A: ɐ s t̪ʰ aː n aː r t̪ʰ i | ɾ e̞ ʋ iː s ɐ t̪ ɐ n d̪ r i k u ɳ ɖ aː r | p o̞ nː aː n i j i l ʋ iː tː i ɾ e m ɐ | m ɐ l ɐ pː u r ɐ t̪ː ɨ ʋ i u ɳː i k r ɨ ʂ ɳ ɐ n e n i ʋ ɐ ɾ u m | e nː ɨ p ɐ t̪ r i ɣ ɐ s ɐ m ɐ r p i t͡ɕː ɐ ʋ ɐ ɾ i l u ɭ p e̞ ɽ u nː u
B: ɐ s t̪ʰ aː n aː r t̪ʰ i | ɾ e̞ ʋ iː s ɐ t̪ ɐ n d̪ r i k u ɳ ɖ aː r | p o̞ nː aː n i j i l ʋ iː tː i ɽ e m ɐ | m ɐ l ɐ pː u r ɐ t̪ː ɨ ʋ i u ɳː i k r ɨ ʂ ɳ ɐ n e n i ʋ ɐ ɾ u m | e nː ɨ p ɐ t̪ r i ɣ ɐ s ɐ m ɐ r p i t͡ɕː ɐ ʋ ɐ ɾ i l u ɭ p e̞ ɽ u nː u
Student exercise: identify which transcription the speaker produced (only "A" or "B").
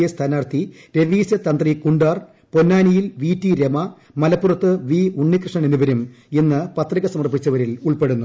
A